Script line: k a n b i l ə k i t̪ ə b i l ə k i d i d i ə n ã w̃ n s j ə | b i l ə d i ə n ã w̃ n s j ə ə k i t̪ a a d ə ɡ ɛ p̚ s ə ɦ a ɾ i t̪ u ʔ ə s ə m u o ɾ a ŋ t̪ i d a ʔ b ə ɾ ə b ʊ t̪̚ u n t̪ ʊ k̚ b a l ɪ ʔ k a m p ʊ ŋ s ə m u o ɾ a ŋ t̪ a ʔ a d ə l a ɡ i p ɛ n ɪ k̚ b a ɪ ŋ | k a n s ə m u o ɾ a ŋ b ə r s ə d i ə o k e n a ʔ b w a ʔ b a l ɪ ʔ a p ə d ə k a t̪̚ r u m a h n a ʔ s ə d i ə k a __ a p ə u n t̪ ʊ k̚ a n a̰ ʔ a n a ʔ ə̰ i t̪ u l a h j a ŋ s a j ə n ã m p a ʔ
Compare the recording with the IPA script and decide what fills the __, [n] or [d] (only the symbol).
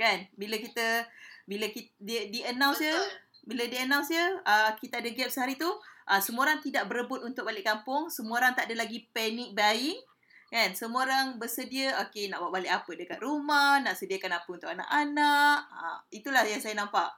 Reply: n